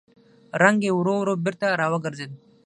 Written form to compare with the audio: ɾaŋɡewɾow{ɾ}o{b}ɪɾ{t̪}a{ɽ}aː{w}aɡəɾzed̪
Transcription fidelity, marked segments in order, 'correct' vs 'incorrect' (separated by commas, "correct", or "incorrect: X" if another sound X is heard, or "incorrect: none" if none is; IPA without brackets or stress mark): correct, correct, correct, incorrect: ɾ, correct